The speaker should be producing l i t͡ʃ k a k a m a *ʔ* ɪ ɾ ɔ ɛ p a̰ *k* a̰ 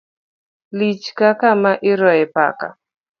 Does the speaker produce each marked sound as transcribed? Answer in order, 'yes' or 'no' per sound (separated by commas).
yes, yes